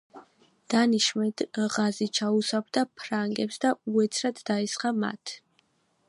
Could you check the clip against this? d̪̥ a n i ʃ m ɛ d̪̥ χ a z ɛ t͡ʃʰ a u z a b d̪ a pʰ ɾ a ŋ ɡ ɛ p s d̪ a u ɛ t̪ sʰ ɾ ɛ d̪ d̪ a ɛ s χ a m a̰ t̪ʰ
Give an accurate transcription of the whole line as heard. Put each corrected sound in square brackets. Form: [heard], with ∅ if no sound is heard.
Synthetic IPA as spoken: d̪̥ a n i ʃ m ɛ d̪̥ [ʁ] a z [i] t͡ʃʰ a u [s] a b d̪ a pʰ ɾ a ŋ ɡ ɛ p s d̪ a u ɛ t̪ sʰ ɾ [a] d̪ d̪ a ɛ s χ a m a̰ t̪ʰ